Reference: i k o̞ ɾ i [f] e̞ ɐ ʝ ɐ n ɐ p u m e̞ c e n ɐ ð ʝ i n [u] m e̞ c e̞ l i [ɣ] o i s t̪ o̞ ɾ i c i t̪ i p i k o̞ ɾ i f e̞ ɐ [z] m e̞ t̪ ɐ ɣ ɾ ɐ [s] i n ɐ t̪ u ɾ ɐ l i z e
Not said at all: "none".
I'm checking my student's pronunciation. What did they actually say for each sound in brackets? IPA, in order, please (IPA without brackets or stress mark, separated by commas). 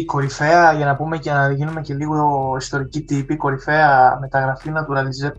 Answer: f, u, ɣ, none, f